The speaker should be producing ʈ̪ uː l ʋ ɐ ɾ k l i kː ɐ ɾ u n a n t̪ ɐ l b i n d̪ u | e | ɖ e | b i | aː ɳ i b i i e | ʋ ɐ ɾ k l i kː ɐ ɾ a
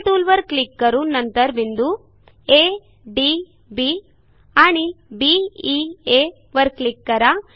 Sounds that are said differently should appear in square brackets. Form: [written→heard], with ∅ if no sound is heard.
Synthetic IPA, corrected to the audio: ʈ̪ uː l ʋ ɐ ɾ k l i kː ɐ ɾ u n [a→ɐ] n t̪ ɐ [l→ɾ] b i n d̪ u | e | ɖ [e→i] | b i | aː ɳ i b i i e | ʋ ɐ ɾ k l i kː ɐ ɾ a

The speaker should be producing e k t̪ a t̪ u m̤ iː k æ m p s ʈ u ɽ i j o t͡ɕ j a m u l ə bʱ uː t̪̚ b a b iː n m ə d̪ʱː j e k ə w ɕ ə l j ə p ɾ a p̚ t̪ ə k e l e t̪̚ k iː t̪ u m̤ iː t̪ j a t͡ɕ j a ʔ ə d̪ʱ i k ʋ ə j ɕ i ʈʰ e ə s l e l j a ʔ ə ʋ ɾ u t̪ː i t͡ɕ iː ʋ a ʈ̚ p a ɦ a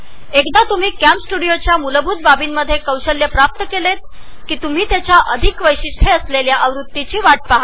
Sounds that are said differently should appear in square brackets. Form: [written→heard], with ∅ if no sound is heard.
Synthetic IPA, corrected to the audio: e k [t̪→d̪] a t̪ u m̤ iː k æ m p s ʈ u ɽ i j o t͡ɕ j a m u l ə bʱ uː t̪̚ b a b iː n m ə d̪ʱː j e k ə w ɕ ə l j ə p ɾ a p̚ t̪ ə k e l e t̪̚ k iː t̪ u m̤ iː t̪ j a t͡ɕ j a ʔ ə d̪ʱ i k ʋ ə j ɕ i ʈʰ e ə s l e l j a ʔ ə ʋ ɾ u t̪ː i t͡ɕ iː ʋ a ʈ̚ p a ɦ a

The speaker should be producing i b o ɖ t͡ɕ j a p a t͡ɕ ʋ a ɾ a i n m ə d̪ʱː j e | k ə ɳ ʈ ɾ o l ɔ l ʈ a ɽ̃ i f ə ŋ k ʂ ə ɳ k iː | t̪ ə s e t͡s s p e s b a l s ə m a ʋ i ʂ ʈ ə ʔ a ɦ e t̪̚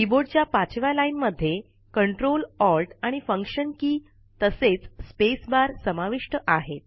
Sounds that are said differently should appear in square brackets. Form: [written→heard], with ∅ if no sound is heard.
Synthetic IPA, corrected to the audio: i b o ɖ t͡ɕ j a p a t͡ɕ ʋ a [ɾ→l] a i n m ə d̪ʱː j e | k ə ɳ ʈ ɾ o l ɔ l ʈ a ɽ̃ i f ə ŋ k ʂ ə [ɳ→n] k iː | t̪ ə s e t͡s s p e s b a [l→ɾ] s ə m a ʋ i ʂ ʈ ə ʔ a ɦ e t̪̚

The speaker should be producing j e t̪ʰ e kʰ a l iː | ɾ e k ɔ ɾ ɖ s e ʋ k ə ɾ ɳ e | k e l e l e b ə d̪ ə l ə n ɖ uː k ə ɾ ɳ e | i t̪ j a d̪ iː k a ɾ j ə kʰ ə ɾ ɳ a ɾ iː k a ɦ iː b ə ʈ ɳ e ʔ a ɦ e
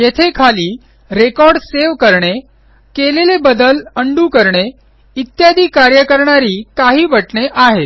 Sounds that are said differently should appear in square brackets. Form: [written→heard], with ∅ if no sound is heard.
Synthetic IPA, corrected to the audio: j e t̪ʰ e kʰ a l iː | ɾ e k ɔ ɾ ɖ s e ʋ k ə ɾ ɳ e | k e l e l e b ə d̪ ə l ə [n→ɳ] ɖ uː k ə ɾ ɳ e | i t̪ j a d̪ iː k a ɾ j ə [kʰ→k] ə ɾ ɳ a ɾ iː k a ɦ iː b ə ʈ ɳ e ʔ a ɦ e

